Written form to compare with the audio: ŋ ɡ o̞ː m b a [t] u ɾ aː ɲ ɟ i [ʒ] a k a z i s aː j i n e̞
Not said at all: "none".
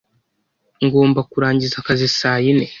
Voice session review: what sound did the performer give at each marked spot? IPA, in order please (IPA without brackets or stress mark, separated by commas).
k, z